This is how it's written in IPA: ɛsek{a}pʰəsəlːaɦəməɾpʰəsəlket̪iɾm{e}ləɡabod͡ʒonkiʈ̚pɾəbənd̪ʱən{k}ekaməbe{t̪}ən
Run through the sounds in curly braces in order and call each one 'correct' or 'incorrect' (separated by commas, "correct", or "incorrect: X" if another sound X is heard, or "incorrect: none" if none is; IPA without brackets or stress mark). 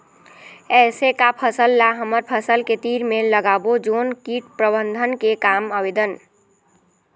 correct, correct, correct, incorrect: d̪